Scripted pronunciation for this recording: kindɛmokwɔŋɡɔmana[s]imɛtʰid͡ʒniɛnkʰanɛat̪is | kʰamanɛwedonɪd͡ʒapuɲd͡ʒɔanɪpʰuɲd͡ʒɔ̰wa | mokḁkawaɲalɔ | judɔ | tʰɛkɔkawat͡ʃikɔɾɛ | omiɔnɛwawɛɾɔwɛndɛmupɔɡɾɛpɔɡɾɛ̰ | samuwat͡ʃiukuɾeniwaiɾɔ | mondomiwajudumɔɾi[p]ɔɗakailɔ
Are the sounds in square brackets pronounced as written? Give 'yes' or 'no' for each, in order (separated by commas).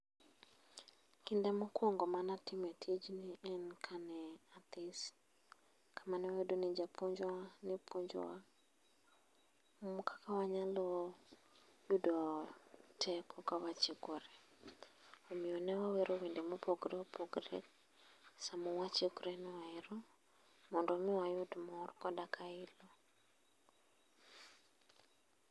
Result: no, no